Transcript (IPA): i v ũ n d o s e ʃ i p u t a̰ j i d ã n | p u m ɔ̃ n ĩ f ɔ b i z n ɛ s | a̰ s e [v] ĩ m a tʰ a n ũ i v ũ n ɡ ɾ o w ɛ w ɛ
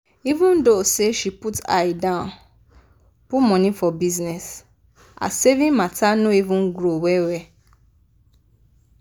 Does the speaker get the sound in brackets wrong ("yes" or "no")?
no